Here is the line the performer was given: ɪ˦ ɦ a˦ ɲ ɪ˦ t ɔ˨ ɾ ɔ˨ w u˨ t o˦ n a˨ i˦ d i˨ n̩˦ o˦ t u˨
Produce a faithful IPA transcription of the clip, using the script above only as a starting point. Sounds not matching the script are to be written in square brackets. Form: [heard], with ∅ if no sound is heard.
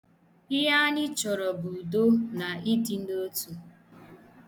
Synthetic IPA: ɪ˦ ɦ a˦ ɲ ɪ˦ [t͡ʃ] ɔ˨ ɾ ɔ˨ [b] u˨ [d] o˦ n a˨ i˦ d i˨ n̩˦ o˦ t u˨